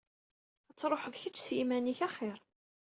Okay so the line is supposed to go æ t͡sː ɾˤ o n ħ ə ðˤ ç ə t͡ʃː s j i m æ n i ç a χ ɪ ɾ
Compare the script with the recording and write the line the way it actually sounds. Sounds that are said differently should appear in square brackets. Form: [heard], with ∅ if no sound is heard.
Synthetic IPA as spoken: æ t͡sː ɾˤ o [∅] ħ ə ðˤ ç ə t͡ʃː s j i m æ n i ç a χ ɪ ɾ